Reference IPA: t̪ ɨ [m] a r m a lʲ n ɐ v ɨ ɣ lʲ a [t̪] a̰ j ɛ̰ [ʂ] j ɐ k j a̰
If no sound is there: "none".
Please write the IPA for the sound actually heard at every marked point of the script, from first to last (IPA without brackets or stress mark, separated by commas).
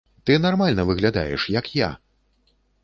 n, d̪, ʂ